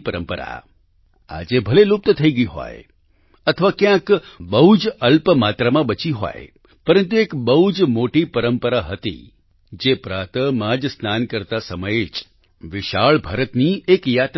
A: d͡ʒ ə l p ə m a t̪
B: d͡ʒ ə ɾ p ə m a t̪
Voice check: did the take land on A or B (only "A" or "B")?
A